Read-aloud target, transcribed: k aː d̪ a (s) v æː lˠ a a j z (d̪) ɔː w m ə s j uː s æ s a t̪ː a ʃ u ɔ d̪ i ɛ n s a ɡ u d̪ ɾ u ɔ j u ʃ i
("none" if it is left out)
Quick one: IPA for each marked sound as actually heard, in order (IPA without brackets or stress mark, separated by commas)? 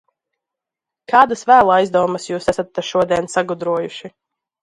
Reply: s, d̪